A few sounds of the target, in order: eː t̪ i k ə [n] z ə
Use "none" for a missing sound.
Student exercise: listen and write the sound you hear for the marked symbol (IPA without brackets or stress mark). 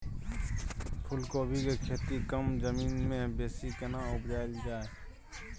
m